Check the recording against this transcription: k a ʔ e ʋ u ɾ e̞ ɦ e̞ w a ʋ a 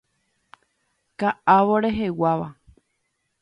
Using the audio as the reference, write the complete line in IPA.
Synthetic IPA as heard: k a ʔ a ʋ o ɾ e̞ ɦ e̞ w a ʋ a